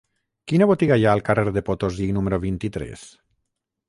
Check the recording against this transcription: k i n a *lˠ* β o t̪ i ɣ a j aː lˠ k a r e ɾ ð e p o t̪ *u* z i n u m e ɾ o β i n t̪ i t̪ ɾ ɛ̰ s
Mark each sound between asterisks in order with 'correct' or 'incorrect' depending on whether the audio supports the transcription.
incorrect: none, incorrect: o

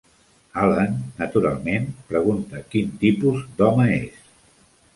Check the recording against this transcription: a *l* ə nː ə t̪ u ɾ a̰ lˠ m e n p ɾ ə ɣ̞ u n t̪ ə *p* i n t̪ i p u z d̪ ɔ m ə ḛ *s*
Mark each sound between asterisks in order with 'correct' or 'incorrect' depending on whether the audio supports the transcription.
correct, incorrect: k, correct

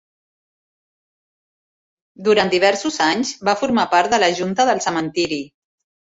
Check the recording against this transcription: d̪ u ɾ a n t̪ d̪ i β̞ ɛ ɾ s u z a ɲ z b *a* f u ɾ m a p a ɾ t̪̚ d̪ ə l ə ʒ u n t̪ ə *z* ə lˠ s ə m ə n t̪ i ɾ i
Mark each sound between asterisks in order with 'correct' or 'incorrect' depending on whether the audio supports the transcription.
correct, incorrect: ð

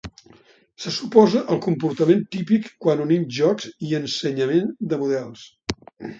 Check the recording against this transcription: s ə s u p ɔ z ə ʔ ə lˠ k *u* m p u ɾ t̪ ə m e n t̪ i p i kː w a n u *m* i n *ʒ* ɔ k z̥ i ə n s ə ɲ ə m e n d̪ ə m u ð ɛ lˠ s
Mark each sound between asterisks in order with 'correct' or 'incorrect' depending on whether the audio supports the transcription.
correct, incorrect: n, correct

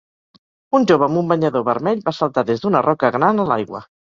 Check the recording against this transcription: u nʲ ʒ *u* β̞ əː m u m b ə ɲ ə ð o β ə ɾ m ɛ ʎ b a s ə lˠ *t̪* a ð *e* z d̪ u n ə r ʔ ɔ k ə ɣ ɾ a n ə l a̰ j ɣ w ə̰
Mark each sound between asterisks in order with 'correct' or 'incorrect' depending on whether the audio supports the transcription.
incorrect: o, correct, correct

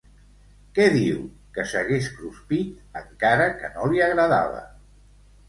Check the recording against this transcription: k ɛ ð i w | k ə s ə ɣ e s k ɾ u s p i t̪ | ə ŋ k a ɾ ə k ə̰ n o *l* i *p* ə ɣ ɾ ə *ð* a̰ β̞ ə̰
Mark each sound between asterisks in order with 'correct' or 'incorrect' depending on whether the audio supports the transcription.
correct, incorrect: none, correct

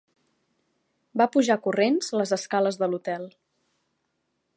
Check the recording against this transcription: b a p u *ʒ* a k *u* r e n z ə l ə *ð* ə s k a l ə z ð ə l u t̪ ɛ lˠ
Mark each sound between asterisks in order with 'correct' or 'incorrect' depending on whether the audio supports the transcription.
correct, correct, incorrect: z

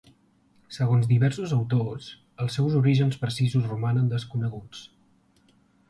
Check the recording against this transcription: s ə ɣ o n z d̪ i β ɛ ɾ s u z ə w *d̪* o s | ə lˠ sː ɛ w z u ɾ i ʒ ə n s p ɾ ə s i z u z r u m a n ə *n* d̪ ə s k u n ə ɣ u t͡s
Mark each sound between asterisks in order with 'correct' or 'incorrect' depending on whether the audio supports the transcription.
incorrect: t̪, correct

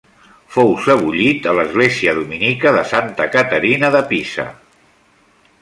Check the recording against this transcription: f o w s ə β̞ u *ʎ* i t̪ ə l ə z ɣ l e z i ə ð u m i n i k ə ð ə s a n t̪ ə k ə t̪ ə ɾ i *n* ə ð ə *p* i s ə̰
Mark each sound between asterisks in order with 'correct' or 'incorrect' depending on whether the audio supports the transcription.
correct, correct, correct

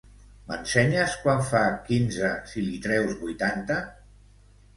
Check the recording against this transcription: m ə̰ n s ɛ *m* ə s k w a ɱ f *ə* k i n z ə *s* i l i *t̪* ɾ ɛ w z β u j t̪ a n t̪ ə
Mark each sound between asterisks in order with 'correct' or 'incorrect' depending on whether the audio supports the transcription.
incorrect: ɲ, incorrect: a, correct, correct

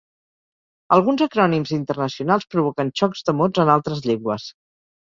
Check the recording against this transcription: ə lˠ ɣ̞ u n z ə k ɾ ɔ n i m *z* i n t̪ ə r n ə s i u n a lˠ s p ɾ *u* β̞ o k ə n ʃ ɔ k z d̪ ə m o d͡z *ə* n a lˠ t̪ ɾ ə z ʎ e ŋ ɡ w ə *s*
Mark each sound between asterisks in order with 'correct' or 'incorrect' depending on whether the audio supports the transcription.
correct, correct, correct, correct

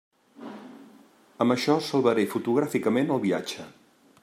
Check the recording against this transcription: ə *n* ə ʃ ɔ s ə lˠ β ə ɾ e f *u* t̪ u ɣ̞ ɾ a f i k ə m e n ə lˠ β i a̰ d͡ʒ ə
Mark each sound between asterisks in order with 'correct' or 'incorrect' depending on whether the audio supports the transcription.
incorrect: m, correct

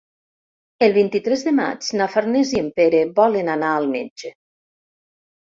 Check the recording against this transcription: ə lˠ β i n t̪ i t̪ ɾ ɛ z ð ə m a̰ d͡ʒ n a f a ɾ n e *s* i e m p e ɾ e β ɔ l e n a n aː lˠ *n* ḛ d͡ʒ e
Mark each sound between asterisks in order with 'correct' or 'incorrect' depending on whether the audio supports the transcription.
incorrect: z, incorrect: m

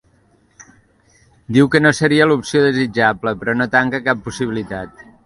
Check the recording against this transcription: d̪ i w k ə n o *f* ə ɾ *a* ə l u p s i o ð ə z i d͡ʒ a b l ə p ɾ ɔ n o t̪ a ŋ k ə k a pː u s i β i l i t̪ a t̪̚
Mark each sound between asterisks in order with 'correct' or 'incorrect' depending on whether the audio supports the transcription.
incorrect: s, incorrect: i

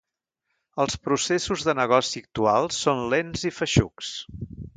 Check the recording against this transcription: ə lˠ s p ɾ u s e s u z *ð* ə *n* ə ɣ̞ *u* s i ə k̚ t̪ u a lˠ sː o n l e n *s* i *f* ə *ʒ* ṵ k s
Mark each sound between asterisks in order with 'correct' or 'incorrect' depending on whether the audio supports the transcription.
correct, correct, incorrect: ɔ, incorrect: z, correct, incorrect: ʃ

